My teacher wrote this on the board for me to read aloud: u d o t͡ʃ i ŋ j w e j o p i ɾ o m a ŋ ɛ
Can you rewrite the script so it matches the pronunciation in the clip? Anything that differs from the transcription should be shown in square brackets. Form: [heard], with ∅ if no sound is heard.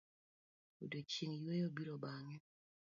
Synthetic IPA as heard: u d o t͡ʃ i ŋ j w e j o [b] i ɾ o [b] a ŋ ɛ